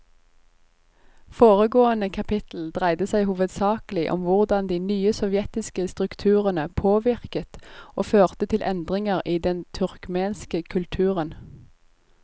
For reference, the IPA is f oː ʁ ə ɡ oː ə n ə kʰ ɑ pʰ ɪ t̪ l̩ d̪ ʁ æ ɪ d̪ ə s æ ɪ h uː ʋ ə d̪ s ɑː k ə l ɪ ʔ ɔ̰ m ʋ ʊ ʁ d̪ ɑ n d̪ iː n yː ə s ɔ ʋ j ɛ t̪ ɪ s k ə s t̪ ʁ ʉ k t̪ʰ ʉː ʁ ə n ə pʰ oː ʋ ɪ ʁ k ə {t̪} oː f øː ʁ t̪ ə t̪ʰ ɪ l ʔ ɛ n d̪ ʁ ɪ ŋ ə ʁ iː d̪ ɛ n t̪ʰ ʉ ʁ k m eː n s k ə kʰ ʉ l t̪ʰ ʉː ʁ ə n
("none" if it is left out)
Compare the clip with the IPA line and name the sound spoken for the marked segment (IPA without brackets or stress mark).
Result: t̪